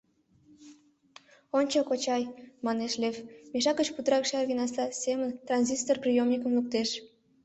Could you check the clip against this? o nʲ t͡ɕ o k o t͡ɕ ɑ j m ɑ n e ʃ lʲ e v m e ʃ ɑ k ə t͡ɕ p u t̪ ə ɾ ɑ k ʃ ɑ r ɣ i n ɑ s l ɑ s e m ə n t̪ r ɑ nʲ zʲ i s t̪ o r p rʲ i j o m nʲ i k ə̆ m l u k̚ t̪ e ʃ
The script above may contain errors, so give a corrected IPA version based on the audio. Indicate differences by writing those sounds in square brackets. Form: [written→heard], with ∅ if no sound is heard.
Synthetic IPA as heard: o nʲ t͡ɕ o k o t͡ɕ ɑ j m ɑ n e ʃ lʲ e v m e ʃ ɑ k ə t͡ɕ p u t̪ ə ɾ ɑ k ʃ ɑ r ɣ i n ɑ s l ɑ s e m ə n t̪ r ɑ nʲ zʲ i s t̪ o r p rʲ i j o m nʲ i k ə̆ m l u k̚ t̪ e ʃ